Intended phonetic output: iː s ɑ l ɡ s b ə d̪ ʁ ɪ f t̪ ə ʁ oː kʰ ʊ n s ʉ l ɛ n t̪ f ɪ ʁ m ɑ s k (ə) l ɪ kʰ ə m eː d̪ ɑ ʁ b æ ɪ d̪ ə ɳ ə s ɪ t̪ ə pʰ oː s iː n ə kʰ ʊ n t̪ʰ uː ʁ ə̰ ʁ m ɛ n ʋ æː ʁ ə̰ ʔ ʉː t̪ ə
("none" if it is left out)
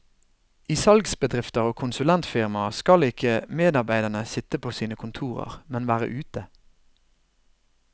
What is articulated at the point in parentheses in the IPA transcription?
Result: ɑ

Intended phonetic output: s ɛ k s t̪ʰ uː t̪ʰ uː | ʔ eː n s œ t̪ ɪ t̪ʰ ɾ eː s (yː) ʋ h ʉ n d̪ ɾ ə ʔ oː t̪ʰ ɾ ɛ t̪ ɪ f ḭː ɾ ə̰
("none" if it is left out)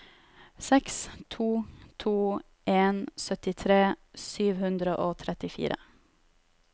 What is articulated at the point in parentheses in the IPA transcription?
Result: yː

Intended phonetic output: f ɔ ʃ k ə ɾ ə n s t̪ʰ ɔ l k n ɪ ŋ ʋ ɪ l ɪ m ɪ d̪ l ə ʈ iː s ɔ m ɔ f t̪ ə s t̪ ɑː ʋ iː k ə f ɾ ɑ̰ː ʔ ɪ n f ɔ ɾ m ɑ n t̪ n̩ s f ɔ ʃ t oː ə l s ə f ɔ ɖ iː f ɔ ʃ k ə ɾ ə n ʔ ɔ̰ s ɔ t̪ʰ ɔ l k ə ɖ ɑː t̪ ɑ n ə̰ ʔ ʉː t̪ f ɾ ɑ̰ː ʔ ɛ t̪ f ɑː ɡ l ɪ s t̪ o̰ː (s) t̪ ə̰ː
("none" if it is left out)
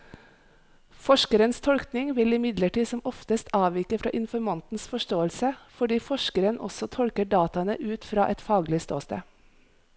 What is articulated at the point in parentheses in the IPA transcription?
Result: s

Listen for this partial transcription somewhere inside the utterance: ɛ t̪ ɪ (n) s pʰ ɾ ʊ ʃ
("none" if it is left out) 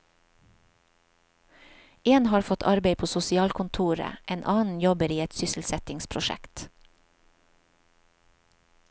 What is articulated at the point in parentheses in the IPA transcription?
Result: ŋ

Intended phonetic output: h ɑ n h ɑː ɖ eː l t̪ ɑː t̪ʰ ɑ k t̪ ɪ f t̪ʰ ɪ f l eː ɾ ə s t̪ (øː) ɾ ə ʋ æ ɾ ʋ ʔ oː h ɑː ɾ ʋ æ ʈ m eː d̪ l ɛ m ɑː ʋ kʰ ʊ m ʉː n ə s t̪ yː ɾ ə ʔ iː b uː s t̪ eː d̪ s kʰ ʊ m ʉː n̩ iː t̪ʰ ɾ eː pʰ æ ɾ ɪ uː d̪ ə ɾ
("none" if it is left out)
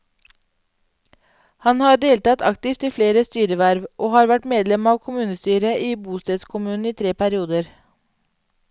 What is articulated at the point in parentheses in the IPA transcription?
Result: yː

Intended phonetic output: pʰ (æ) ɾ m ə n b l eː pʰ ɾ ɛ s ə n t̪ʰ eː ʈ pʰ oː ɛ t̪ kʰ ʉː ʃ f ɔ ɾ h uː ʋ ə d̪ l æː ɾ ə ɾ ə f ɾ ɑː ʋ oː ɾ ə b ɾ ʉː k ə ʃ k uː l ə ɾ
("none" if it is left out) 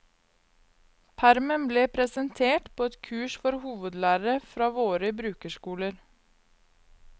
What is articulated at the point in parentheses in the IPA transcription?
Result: æ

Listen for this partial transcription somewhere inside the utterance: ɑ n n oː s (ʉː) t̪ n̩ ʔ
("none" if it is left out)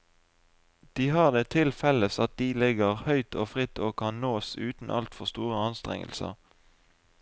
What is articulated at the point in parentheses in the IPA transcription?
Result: ʉː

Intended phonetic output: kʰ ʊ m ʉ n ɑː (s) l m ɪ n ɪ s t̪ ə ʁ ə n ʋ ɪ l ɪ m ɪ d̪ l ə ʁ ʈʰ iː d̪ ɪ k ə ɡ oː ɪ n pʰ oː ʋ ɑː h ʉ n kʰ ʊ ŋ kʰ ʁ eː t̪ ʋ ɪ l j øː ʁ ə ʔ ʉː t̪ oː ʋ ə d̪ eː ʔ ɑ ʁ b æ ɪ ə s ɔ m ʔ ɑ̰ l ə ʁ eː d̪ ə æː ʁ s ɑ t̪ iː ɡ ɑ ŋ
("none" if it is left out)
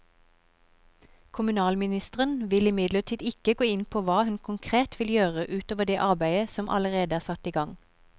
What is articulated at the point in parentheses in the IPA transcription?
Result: none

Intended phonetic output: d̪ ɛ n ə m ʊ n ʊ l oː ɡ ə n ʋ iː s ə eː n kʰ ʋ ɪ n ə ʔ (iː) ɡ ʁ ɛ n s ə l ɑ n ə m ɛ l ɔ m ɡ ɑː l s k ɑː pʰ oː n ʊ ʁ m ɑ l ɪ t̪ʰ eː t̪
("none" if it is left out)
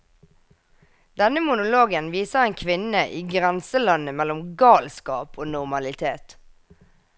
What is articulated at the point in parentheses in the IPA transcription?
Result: iː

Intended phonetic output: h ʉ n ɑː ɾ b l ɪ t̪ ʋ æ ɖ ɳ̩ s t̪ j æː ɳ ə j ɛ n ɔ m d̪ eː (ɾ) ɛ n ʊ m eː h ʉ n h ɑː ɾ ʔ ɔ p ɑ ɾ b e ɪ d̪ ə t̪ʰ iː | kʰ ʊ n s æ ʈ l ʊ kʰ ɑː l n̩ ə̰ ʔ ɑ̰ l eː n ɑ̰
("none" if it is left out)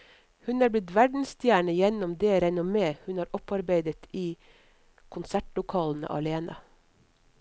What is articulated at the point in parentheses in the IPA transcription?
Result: ɾ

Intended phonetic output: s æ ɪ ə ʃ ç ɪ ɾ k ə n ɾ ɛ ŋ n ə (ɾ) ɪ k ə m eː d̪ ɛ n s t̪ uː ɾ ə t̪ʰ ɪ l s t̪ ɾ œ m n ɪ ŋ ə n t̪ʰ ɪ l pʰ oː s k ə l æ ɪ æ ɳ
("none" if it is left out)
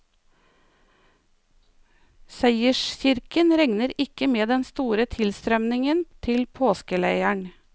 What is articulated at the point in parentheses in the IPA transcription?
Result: ɾ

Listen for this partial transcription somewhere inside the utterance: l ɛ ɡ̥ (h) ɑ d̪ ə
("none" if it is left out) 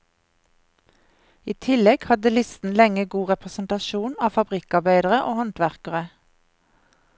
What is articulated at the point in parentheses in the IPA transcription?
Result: h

